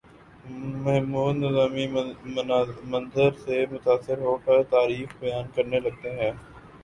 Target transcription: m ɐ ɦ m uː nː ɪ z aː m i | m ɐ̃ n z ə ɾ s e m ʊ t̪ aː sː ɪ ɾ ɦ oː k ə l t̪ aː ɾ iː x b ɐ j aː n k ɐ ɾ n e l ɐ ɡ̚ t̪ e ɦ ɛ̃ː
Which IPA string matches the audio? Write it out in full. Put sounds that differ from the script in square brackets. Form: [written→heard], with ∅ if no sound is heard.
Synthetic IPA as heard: m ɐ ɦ m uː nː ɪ z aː m i | m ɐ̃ n z ə ɾ s e m ʊ t̪ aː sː ɪ ɾ ɦ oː k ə [l→ɾ] t̪ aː ɾ iː x b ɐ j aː n k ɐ ɾ n e l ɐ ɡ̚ t̪ e ɦ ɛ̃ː